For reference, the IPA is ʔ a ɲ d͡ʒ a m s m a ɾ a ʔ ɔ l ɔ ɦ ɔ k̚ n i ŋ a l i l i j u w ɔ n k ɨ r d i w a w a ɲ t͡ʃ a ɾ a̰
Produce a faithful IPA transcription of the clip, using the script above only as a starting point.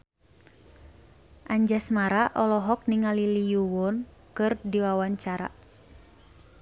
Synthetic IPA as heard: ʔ a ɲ d͡ʒ a s m a ɾ a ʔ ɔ l ɔ ɦ ɔ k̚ n i ŋ a l i l i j u w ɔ n k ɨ r d i w a w a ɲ t͡ʃ a ɾ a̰